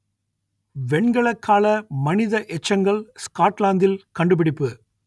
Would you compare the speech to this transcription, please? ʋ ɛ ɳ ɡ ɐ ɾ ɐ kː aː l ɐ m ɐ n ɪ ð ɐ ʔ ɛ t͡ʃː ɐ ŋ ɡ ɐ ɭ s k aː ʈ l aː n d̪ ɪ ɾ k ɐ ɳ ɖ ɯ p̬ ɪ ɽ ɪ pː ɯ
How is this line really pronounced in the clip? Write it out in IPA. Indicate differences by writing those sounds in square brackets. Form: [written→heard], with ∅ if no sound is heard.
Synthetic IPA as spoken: ʋ ɛ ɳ ɡ ɐ [ɾ→ɭ] ɐ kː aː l ɐ m ɐ n ɪ ð ɐ ʔ ɛ t͡ʃː ɐ ŋ ɡ ɐ ɭ s k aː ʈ l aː n d̪ ɪ [ɾ→l] k ɐ ɳ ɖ ɯ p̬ ɪ ɽ ɪ pː ɯ